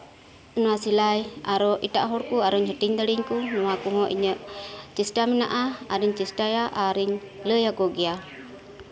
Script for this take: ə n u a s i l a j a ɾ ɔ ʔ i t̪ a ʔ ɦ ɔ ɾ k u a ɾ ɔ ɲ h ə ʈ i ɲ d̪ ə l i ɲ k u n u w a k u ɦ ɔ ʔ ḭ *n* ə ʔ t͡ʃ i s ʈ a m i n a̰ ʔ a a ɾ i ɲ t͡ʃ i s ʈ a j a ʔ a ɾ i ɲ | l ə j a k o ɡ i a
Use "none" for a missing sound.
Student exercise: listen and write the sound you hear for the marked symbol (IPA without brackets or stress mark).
ɲ